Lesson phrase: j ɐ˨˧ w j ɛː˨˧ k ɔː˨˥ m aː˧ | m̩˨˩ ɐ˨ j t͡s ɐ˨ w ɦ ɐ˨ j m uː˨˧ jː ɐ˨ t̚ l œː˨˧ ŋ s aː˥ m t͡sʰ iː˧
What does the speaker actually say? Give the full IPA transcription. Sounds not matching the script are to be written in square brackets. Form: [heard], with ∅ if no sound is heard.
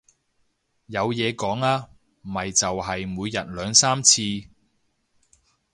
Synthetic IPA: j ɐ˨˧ w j ɛː˨˧ k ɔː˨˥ [ŋ] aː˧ | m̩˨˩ ɐ˨ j t͡s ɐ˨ w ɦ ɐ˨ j m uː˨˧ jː ɐ˨ t̚ l œː˨˧ ŋ s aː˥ m t͡sʰ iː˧